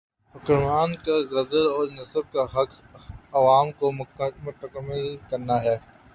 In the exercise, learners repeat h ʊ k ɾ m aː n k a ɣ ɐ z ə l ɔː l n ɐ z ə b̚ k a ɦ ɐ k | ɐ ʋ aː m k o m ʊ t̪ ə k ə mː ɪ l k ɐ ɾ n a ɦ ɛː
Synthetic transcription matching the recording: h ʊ k ɾ m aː n k a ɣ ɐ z ə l ɔː ɾ n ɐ s ə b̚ k a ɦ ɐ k | ɐ ʋ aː m k o m ʊ t̪ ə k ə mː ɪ l k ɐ ɾ n a ɦ ɛː